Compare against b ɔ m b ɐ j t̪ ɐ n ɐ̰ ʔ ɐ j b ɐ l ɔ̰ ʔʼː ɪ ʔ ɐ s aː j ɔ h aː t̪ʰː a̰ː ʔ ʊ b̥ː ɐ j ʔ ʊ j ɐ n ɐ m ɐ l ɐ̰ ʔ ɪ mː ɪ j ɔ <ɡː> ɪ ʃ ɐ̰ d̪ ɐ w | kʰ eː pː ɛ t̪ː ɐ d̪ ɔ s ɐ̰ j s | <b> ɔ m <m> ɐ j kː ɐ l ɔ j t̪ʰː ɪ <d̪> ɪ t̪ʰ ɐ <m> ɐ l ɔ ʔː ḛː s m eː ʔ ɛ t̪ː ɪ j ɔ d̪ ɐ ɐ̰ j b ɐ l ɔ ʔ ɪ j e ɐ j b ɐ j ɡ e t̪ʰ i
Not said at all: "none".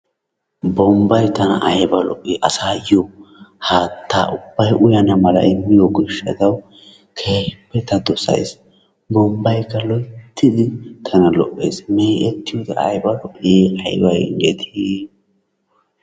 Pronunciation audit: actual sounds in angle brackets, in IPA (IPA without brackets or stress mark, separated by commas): ɡ, b, b, d̪, n